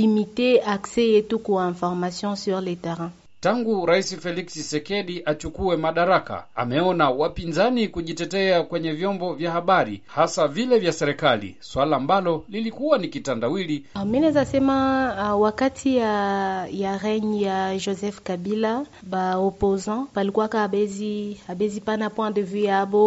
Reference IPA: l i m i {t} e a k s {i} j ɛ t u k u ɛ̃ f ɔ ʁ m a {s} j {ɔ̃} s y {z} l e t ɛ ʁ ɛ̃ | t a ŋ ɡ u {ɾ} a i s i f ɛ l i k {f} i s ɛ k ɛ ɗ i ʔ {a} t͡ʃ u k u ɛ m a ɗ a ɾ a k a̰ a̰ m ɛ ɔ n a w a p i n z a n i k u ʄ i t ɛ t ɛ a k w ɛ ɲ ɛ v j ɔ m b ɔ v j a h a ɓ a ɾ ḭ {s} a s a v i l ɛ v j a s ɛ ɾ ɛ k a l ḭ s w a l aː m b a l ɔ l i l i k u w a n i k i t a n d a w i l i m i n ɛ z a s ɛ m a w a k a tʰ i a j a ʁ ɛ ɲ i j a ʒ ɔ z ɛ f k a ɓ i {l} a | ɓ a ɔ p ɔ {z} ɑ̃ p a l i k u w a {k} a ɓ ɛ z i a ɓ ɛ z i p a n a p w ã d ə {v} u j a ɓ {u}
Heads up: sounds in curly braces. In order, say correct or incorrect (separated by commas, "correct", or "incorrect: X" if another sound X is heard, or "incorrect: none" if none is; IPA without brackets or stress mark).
correct, incorrect: ɛ, correct, correct, incorrect: ʁ, correct, incorrect: s, correct, incorrect: h, correct, correct, correct, correct, incorrect: ɔ